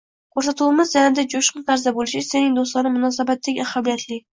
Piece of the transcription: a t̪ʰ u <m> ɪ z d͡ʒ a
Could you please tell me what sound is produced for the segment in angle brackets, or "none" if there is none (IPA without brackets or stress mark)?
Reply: m